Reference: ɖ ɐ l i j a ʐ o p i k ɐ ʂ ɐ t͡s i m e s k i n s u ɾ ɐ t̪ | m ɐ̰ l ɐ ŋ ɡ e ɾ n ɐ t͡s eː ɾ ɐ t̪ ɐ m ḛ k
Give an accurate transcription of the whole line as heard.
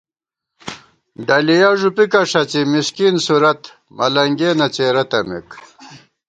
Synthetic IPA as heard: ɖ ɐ l i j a ʐ u p i k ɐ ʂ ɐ t͡s i m i s k i n s u ɾ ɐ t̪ | m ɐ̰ l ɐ ŋ ɡ e n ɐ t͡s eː ɾ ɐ t̪ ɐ m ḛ k